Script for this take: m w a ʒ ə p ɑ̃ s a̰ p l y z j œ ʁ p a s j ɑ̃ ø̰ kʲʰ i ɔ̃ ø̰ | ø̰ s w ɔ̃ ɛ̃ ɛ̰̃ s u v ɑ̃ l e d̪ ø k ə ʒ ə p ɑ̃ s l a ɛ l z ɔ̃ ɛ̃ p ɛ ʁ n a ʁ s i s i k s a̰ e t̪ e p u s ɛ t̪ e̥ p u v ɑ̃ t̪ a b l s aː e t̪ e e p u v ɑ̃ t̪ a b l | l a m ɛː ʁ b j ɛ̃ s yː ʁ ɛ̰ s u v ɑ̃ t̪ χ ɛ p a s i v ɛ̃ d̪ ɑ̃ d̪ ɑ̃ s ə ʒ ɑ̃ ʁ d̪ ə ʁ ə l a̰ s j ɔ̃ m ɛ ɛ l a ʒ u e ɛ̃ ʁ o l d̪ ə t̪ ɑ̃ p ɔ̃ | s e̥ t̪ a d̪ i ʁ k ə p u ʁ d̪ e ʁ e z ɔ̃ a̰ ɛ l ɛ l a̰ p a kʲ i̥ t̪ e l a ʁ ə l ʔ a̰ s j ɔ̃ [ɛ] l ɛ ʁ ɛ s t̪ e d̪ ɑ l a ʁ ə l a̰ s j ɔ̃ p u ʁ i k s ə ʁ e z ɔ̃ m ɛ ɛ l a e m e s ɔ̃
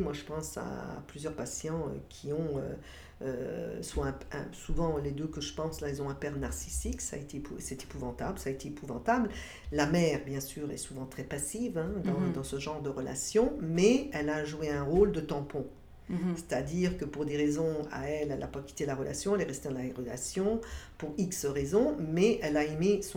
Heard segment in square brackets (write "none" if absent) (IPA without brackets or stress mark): ɛ